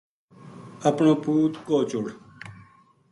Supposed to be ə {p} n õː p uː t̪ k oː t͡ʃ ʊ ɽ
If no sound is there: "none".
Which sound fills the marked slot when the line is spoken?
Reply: p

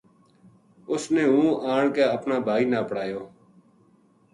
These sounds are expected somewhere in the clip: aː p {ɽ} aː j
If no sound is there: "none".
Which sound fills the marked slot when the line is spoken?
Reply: ɽ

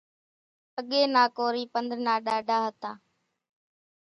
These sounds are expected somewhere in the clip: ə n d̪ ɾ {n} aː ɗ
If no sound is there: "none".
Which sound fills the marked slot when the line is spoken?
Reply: n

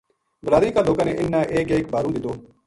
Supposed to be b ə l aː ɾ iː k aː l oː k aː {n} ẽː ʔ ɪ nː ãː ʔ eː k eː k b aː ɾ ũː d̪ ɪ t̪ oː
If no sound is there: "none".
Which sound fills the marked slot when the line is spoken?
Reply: n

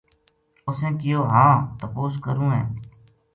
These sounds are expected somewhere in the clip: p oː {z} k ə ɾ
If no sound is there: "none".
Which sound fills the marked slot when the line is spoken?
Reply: s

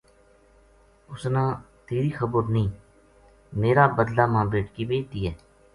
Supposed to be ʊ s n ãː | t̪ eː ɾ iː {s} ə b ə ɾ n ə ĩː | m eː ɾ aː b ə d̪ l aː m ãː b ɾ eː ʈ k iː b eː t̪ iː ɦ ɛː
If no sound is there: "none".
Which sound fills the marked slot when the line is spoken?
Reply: x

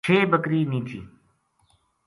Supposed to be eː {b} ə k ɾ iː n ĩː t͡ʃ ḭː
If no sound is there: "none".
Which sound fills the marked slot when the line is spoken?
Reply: b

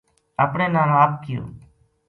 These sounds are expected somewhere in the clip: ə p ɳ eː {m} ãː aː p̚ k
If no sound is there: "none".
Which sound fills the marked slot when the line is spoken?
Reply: n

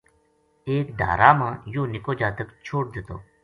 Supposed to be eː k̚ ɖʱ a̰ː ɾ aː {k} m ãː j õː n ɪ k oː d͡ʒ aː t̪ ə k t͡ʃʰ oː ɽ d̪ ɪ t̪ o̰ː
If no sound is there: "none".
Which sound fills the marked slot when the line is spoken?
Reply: none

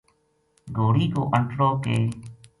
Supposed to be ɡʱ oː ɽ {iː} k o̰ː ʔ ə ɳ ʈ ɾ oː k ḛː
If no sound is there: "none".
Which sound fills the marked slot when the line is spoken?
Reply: iː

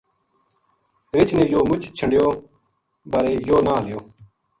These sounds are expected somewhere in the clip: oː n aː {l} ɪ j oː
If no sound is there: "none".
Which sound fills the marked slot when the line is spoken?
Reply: l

